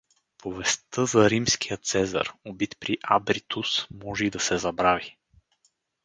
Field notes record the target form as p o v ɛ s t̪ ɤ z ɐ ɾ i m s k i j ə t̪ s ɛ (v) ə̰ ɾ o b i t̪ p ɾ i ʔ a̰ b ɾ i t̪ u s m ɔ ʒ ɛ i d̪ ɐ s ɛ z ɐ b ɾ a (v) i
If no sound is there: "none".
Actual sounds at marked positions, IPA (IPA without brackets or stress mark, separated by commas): z, v